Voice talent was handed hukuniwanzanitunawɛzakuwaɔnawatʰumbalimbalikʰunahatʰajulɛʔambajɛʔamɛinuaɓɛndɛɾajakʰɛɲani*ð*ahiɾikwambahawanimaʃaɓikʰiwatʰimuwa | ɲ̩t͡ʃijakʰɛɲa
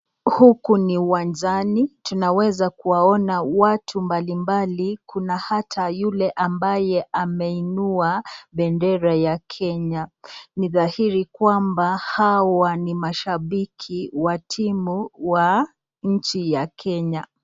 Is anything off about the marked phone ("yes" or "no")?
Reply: no